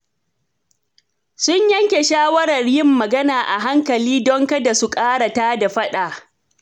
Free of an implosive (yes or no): no